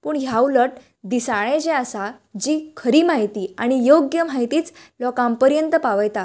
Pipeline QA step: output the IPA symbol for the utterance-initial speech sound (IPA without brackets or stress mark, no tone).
p